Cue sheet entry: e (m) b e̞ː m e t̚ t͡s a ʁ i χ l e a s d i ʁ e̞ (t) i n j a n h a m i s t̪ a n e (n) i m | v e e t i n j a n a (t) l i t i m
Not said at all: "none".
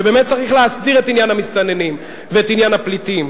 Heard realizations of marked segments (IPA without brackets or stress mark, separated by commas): none, t, n, p